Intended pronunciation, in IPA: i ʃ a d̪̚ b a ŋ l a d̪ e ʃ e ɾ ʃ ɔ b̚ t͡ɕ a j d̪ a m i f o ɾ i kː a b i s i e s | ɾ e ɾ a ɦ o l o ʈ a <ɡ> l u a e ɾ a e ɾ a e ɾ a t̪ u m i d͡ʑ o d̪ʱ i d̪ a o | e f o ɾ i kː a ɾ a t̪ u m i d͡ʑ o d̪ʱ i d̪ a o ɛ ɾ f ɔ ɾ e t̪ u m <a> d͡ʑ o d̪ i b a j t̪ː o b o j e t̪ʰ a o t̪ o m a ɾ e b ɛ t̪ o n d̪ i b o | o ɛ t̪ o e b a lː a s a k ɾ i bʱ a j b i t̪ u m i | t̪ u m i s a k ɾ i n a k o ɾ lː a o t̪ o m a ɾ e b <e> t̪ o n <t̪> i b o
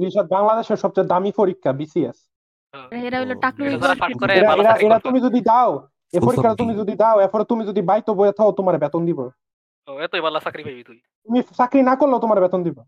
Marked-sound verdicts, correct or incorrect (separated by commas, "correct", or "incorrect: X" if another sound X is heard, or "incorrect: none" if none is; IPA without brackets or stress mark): incorrect: k, incorrect: i, incorrect: ɛ, incorrect: d̪